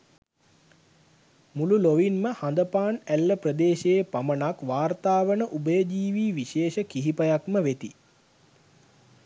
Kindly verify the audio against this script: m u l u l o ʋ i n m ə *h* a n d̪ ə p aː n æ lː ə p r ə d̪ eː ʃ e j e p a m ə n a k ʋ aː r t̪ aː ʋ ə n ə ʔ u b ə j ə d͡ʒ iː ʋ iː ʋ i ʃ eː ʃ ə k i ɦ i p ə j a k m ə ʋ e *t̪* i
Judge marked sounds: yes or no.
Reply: yes, yes

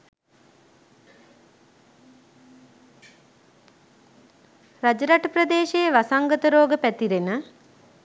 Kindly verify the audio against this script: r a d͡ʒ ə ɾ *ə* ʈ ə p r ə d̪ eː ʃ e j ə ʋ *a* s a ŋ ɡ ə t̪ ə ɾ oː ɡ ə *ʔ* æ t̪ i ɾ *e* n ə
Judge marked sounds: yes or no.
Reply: no, yes, no, yes

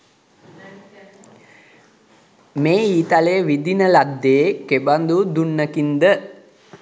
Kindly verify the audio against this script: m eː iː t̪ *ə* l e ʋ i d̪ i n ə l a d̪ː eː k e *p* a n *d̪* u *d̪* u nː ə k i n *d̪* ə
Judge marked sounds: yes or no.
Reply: no, no, yes, yes, yes

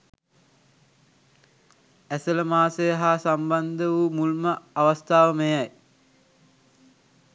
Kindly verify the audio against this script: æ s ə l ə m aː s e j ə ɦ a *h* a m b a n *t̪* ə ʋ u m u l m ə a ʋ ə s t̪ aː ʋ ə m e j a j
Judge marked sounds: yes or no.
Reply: no, no

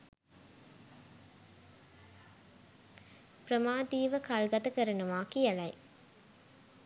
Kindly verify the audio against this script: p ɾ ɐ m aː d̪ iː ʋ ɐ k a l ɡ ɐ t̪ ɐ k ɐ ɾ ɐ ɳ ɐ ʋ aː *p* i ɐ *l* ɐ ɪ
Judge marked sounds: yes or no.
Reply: no, yes

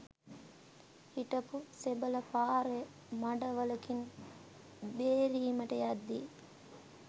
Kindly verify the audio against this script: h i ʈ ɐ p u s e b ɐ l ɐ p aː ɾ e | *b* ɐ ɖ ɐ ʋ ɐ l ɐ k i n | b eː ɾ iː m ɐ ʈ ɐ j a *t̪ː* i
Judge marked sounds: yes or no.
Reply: no, no

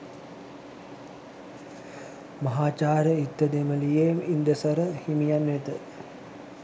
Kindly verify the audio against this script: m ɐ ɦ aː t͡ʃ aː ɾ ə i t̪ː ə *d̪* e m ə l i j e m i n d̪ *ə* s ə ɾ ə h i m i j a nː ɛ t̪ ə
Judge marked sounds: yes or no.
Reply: yes, yes

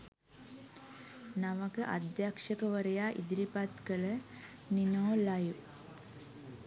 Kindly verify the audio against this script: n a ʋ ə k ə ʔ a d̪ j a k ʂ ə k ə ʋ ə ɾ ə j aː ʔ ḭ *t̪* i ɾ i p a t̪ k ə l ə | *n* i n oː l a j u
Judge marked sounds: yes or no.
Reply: no, yes

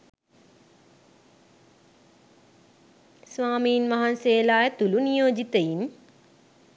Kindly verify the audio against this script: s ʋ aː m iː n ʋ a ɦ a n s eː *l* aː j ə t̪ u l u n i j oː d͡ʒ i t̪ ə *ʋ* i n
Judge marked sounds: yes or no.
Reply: yes, no

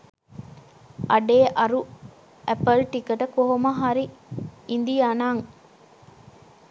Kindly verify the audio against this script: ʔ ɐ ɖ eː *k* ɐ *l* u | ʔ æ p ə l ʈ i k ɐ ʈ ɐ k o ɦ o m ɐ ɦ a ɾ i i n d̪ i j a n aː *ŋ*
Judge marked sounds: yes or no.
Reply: no, no, yes

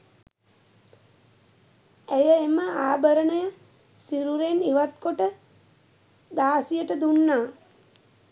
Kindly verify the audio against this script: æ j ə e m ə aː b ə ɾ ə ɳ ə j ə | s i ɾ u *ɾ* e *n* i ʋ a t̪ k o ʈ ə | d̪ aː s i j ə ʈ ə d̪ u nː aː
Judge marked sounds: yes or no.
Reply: yes, yes

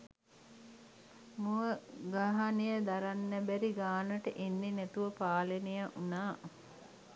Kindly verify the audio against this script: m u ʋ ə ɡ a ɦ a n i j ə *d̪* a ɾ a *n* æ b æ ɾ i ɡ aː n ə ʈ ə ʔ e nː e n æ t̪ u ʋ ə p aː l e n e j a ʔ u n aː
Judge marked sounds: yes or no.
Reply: yes, no

